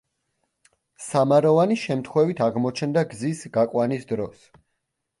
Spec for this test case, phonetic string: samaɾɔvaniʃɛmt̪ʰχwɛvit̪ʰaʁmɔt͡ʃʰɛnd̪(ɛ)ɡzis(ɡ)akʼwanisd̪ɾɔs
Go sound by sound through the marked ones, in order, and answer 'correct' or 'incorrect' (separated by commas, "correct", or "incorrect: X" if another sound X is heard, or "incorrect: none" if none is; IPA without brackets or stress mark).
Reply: incorrect: a, correct